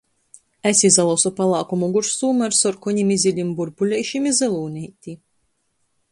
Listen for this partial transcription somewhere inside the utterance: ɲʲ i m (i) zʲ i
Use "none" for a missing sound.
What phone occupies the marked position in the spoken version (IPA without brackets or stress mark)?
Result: i